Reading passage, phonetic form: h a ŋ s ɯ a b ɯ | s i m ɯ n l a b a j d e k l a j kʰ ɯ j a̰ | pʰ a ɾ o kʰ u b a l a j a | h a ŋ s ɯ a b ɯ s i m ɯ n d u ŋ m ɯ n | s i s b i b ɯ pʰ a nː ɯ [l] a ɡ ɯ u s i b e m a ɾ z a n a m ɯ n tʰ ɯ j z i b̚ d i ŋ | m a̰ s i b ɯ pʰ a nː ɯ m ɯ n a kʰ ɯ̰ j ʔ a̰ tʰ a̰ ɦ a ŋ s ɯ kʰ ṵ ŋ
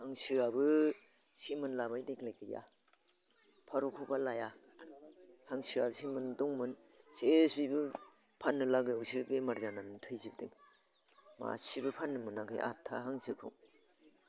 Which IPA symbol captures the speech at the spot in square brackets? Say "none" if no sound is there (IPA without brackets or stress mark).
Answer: l